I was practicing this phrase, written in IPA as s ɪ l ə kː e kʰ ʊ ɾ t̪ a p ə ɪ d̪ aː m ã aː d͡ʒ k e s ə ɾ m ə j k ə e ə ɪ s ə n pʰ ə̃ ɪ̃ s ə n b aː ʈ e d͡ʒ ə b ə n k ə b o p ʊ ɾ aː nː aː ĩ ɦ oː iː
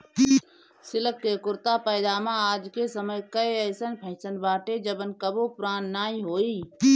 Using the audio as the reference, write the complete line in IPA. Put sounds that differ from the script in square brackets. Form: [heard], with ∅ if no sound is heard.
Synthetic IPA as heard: s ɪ l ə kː e [k] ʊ ɾ t̪ a p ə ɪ d̪ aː m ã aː d͡ʒ k e s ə [∅] m ə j k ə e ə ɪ s ə n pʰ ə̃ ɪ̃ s ə n b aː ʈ e d͡ʒ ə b ə n k ə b o p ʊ ɾ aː nː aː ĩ ɦ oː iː

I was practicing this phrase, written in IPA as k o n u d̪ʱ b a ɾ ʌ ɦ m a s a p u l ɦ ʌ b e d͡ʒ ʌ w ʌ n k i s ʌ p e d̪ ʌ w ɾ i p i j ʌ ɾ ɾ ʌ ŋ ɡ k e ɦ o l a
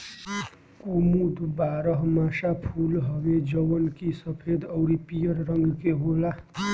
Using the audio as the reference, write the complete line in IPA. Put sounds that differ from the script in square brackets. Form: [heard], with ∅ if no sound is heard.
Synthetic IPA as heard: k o [m] u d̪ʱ b a ɾ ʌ ɦ m a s a [pʰ] u l ɦ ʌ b e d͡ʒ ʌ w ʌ n k i s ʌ [pʰ] e d̪ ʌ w ɾ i p i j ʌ ɾ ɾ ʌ ŋ ɡ k e ɦ o l a

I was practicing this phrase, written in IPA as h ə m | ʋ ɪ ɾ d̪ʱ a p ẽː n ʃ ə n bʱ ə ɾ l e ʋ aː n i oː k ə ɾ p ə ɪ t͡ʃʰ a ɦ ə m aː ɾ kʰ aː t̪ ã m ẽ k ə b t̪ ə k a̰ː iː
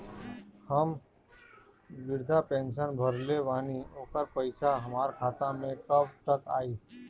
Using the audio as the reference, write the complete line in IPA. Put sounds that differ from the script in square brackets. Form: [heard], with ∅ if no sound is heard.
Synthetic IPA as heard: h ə m | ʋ ɪ ɾ d̪ʱ a p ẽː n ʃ ə n bʱ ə ɾ l e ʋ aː n i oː k ə ɾ p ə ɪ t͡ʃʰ a ɦ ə m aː ɾ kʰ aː t̪ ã m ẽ k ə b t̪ ə k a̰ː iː

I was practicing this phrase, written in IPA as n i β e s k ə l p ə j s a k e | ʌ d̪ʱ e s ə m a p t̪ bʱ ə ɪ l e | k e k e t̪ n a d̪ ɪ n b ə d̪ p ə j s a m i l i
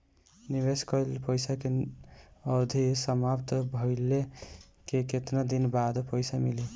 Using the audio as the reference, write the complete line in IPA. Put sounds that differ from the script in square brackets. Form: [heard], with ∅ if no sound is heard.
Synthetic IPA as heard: n i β e s k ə l p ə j s a k e | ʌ d̪ʱ [i] s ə m a p t̪ bʱ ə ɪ l e | k e k e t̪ n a d̪ [i] n b [a] d̪ p ə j s a m i l i

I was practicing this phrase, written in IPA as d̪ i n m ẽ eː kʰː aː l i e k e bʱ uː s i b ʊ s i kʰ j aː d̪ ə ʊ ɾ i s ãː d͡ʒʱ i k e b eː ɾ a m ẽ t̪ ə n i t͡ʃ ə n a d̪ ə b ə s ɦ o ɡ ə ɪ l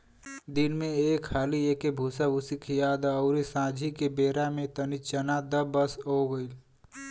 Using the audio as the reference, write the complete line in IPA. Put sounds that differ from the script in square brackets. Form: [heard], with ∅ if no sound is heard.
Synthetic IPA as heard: d̪ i n m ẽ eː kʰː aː l i e k e bʱ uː s [a] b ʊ s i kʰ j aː d̪ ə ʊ ɾ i s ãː d͡ʒʱ i k e b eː ɾ a m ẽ t̪ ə n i t͡ʃ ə n a d̪ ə b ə s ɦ o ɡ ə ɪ l

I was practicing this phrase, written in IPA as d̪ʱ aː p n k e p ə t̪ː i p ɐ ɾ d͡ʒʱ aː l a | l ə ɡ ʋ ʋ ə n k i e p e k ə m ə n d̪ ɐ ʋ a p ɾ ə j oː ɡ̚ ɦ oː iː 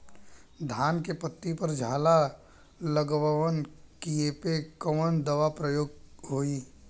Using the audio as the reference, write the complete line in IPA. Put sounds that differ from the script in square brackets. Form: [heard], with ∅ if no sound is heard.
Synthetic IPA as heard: d̪ʱ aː [∅] n k e p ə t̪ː i p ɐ ɾ d͡ʒʱ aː l a | l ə ɡ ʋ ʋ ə n k i e p e k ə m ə n d̪ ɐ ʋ a p ɾ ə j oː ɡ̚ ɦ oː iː

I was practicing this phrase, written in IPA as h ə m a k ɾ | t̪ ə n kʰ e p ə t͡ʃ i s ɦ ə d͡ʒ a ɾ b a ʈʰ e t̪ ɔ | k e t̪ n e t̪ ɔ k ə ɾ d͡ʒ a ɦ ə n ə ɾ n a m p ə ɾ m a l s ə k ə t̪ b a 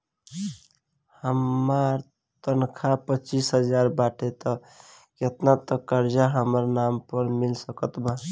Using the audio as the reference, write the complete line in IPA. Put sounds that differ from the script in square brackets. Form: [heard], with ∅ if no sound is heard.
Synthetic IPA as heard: h ə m a [∅] ɾ | t̪ ə n kʰ [a] p ə t͡ʃ i s ɦ ə d͡ʒ a ɾ b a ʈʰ e t̪ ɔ | k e t̪ n [a] t̪ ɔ k ə ɾ d͡ʒ a ɦ ə [m] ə ɾ n a m p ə ɾ m [i] l s ə k ə t̪ b a

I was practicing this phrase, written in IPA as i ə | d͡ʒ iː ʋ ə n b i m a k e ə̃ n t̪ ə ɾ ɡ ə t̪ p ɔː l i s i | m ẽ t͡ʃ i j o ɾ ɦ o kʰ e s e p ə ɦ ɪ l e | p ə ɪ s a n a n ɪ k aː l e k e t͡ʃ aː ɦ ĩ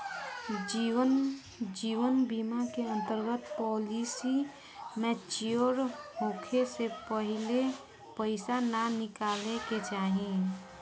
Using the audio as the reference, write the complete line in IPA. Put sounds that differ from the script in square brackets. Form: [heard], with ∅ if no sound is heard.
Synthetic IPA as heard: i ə | d͡ʒ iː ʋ ə n b i m a k e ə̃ n t̪ ə ɾ ɡ ə t̪ p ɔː l i s i | m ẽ t͡ʃ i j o ɾ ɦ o kʰ e s e p ə ɦ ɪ l e | p ə ɪ s a n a n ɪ k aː l e k e t͡ʃ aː ɦ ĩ

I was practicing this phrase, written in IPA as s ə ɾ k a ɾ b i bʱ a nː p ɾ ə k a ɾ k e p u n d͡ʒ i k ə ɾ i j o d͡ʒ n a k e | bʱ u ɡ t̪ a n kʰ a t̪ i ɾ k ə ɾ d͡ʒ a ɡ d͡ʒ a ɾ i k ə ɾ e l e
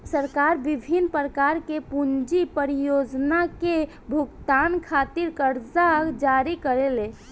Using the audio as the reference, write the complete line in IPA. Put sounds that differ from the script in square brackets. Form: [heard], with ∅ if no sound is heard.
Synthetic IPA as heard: s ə ɾ k a ɾ b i bʱ [i] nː p ɾ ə k a ɾ k e p u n d͡ʒ i [p] ə ɾ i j o d͡ʒ n a k e | bʱ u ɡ t̪ a n kʰ a t̪ i ɾ k ə ɾ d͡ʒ a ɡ d͡ʒ a ɾ i k ə ɾ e l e

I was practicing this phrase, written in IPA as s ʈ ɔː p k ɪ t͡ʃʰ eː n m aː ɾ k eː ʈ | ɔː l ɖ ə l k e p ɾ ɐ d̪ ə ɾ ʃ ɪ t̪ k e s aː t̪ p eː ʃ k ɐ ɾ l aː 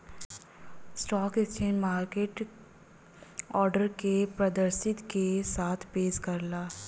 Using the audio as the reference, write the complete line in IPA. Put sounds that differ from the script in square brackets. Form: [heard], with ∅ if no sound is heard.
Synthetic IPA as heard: s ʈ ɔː [∅] k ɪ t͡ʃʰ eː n m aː ɾ k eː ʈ | ɔː [ɾ] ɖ ə [ɾ] k e p ɾ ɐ d̪ ə ɾ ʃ ɪ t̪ k e s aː [t̪ʰ] p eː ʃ k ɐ ɾ l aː

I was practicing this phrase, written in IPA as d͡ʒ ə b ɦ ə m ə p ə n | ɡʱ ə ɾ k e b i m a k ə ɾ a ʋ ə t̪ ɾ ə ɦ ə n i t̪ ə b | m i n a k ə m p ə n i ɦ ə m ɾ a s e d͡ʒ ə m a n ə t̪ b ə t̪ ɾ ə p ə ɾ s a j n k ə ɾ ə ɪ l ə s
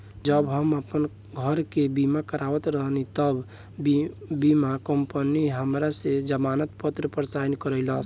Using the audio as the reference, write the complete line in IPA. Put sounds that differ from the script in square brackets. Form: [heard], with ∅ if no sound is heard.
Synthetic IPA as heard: d͡ʒ ə b ɦ ə m ə p ə n | ɡʱ ə ɾ k e b i m a k ə ɾ a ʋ ə t̪ ɾ ə ɦ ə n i t̪ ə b | [b] i [m] a k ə m p ə n i ɦ ə m ɾ a s e d͡ʒ ə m a n ə t̪ [p] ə t̪ ɾ ə p ə ɾ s a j n k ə ɾ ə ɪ l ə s

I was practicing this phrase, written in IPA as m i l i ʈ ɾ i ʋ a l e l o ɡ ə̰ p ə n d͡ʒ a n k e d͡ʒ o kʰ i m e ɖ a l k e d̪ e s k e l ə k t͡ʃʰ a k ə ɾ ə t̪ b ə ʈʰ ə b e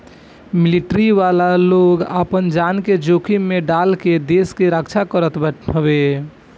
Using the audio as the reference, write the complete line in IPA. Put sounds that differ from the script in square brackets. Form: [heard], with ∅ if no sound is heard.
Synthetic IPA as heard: m i l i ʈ ɾ i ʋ a l [a] l o ɡ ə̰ p ə n d͡ʒ a n k e d͡ʒ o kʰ i m e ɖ a l k e d̪ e s k e [ɾ] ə k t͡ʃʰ a k ə ɾ ə t̪ b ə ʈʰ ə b e

